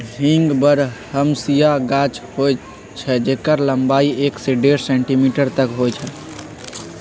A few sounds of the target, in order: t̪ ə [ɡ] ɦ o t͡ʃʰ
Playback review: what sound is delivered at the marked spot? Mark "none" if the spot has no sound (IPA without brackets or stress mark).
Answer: k